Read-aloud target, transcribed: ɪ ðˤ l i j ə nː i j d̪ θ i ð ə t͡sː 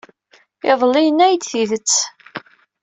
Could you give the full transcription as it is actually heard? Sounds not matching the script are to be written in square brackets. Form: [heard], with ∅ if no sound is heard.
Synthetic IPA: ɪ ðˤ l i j ə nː [æ] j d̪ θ i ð ə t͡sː